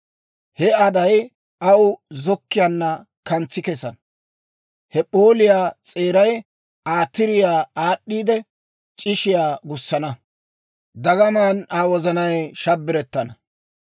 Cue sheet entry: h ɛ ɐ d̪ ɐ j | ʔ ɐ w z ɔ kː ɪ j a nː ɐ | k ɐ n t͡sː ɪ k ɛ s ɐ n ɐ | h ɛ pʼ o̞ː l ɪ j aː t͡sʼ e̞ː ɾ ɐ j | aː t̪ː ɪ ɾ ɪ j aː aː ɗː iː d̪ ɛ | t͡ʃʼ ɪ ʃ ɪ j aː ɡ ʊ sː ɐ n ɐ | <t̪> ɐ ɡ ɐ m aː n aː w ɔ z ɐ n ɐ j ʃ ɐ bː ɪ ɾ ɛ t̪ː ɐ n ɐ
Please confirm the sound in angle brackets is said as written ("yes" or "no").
no